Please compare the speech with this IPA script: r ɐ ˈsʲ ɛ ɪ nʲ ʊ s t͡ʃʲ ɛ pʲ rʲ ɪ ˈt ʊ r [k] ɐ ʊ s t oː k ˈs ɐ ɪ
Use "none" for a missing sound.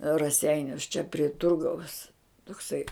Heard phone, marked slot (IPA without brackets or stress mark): ɡ